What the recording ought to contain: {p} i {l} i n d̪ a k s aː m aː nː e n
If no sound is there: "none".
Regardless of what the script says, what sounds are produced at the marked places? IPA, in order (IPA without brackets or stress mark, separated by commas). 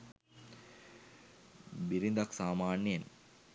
b, ɾ